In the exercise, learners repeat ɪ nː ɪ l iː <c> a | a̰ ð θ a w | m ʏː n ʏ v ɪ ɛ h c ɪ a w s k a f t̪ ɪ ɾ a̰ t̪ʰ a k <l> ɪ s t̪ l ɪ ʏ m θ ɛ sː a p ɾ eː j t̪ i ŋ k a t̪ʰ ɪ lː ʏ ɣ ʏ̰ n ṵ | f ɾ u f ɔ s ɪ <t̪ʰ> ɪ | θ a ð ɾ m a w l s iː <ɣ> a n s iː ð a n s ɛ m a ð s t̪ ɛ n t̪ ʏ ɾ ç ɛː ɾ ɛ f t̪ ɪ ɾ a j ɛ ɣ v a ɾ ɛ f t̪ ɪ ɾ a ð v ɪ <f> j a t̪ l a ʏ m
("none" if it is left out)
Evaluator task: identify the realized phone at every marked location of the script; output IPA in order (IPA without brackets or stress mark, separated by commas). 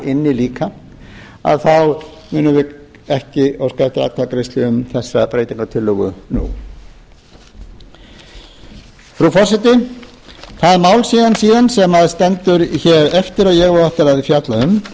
k, ɾ, t̪, ð, f